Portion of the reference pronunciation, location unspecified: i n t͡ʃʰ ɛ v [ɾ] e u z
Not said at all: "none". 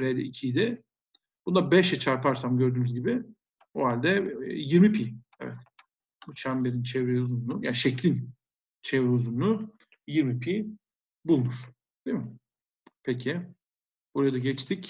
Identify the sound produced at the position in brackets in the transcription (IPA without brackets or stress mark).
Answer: ɾ